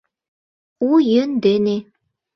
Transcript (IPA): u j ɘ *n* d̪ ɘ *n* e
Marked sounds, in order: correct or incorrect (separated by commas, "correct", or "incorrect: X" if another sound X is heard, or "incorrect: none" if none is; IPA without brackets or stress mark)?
correct, correct